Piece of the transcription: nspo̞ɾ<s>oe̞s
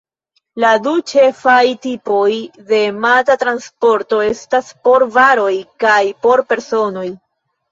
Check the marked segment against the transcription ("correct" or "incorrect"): incorrect